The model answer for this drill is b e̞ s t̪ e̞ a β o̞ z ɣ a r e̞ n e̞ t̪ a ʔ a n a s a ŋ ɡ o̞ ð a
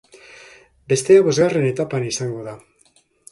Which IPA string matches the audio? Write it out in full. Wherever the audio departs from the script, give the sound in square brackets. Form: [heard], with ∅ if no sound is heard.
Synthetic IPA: b e̞ s t̪ e̞ a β o̞ z ɣ a r e̞ n e̞ t̪ a [p] a n [i] s a ŋ ɡ o̞ ð a